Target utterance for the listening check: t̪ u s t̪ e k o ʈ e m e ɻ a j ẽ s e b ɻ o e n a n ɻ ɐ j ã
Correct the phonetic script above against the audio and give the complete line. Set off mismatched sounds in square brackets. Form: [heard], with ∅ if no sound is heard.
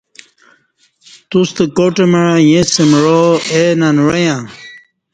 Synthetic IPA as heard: t̪ u s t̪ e k o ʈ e m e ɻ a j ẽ s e [m] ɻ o e n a n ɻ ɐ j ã

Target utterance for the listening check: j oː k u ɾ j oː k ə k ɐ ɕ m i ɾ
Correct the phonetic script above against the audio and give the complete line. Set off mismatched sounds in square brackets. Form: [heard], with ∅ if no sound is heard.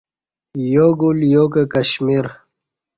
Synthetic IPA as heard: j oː [ɡ] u [l] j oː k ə k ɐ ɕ m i ɾ

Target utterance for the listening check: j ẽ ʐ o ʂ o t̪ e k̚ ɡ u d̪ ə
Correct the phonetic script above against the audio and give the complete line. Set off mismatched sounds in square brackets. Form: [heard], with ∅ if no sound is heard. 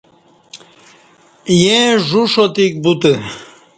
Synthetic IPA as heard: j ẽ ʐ [u] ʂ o t̪ [i] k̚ [b] u [t̪] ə

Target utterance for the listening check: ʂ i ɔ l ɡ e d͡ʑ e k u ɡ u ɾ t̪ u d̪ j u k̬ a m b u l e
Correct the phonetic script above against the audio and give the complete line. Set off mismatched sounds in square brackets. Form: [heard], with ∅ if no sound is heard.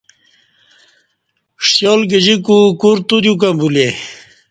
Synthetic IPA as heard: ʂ [j] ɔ l ɡ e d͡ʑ [i] k u [k] u ɾ t̪ u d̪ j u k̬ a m b u l e

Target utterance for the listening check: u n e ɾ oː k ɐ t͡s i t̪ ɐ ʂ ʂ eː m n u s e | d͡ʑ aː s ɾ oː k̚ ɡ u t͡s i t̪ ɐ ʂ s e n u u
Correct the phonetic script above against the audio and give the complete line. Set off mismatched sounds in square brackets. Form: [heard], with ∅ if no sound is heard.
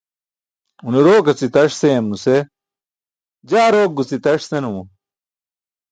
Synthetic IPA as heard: u n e ɾ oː k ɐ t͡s i t̪ ɐ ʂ [s] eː m n u s e | d͡ʑ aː [∅] ɾ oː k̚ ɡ u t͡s i t̪ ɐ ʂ s e n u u

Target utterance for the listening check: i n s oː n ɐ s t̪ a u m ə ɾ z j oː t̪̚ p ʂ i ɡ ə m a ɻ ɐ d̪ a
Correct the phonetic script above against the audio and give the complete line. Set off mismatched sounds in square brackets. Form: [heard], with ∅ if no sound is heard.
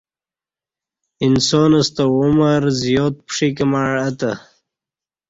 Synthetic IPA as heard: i n s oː n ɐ s t̪ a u m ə ɾ z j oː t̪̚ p ʂ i [k] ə m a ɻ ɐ [t̪] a

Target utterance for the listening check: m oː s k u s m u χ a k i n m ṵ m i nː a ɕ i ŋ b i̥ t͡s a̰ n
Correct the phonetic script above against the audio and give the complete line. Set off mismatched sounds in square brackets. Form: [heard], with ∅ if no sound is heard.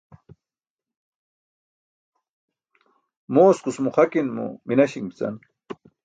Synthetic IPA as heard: m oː s k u s m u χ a k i n m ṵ m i [n] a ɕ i ŋ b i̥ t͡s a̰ n

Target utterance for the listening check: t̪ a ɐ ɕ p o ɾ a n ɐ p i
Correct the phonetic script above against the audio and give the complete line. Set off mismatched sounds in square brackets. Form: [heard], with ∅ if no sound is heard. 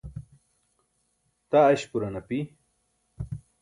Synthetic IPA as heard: t̪ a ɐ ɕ p [u] ɾ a n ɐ p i

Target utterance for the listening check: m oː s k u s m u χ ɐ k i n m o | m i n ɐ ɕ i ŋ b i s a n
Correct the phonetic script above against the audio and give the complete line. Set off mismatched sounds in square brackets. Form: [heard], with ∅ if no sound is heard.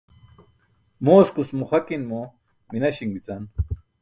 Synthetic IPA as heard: m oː s k u s m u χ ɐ k i n m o | m i n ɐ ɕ i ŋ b i [t͡s] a n

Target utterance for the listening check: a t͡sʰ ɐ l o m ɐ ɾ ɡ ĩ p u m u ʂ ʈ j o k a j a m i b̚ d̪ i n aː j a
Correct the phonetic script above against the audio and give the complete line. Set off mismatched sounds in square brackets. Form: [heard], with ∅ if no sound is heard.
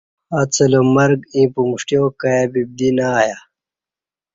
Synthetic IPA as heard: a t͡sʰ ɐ l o m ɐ ɾ ɡ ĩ p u m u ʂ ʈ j o k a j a [b] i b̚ d̪ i n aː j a

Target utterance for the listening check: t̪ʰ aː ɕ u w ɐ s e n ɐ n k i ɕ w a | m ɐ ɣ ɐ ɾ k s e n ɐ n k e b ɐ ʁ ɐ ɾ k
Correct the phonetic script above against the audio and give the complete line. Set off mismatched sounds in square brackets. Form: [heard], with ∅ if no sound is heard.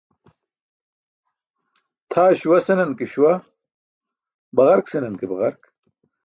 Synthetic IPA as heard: t̪ʰ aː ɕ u w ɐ s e n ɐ n k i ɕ w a | [b] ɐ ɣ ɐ ɾ k s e n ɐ n k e b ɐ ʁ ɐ ɾ k

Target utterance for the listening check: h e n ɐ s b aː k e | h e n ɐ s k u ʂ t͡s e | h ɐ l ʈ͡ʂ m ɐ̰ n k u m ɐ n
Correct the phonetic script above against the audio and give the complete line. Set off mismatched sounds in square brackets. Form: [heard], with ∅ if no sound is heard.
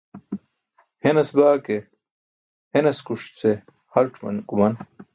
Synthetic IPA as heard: h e n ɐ s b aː k e | h e n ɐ s k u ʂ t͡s e | h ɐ l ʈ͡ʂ m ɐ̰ n k u m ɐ n

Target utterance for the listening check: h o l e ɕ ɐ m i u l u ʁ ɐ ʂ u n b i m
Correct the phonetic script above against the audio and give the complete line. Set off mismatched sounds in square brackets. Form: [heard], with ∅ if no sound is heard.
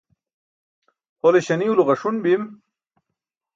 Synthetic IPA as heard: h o l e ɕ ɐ [n] i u l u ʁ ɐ ʂ u n b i m

